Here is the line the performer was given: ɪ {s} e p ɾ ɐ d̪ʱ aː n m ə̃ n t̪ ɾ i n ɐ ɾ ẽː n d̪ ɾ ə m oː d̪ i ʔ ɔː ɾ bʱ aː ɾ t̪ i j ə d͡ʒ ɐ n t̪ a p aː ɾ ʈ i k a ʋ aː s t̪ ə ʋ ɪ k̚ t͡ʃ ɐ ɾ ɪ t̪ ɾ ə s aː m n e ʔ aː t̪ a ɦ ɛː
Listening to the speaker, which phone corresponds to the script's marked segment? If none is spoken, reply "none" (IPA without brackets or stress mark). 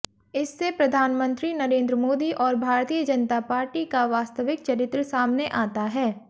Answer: sː